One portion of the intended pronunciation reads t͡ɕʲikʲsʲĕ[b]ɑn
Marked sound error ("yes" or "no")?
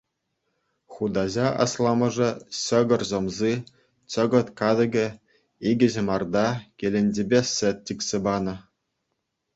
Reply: no